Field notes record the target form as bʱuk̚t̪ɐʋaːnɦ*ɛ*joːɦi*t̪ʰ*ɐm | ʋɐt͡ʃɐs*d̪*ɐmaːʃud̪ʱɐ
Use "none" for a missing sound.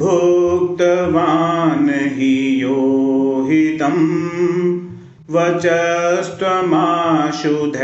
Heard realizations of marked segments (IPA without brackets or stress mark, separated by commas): i, t̪, t̪